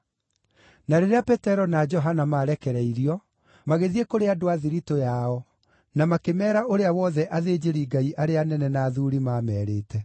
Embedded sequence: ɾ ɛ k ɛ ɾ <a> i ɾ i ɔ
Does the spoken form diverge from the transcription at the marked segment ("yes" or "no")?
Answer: yes